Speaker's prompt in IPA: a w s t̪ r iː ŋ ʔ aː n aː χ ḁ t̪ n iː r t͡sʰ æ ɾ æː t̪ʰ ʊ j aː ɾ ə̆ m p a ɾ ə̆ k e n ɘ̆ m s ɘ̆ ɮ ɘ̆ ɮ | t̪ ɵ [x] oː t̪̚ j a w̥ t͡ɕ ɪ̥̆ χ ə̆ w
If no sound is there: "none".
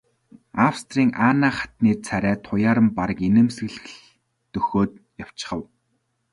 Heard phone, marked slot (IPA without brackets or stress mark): x